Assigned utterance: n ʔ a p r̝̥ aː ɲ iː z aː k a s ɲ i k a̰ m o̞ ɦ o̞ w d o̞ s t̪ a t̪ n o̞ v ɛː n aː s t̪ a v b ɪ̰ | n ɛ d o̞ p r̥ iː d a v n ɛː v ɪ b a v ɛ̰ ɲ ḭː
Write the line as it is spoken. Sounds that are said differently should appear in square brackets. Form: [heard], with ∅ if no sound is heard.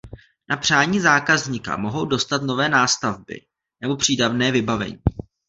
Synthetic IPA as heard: n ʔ a p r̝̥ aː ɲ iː z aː k a [z] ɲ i k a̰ m o̞ ɦ o̞ w d o̞ s t̪ a t̪ n o̞ v ɛː n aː s t̪ a v b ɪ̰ | n ɛ [b] o̞ p r̥ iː d a v n ɛː v ɪ b a v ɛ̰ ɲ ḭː